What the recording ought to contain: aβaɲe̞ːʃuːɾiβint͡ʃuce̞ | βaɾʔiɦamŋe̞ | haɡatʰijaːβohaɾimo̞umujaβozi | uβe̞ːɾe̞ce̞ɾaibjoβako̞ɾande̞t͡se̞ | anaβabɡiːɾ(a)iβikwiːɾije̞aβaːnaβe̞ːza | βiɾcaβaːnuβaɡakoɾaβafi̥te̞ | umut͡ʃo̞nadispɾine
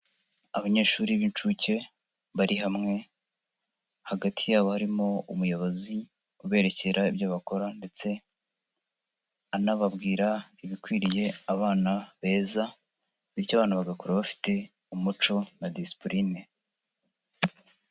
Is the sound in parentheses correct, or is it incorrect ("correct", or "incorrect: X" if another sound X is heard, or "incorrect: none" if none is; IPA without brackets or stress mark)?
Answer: correct